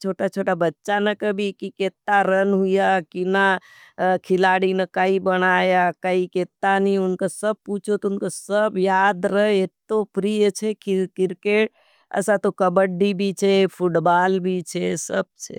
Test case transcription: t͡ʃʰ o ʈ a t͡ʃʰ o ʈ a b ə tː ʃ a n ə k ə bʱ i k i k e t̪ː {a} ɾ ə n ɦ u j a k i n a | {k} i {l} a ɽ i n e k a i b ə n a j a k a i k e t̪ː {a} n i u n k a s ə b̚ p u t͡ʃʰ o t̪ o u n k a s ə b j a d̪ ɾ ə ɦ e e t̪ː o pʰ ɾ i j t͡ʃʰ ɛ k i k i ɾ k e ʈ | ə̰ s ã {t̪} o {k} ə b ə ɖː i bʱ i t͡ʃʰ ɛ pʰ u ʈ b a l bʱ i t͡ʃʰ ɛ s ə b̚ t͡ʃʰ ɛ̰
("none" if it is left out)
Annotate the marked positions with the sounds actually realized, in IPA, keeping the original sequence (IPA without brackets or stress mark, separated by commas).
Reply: a, kʰ, l, a, t̪, k